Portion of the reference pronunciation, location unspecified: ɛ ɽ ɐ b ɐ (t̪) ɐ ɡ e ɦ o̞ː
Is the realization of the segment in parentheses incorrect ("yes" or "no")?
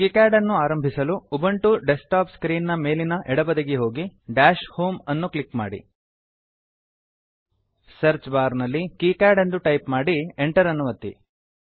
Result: yes